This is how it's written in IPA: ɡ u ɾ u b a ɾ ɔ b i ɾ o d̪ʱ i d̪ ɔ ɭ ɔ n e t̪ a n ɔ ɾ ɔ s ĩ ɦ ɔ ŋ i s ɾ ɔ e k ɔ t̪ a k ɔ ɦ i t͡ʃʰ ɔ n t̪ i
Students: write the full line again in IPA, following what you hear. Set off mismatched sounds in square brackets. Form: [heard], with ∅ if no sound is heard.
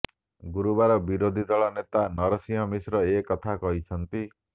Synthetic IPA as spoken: ɡ u ɾ u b a ɾ ɔ b i ɾ o d̪ʱ i d̪ ɔ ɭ ɔ n e t̪ a n ɔ ɾ ɔ s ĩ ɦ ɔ [m] i s ɾ ɔ e k ɔ [t̪ʰ] a k ɔ ɦ i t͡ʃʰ ɔ n t̪ i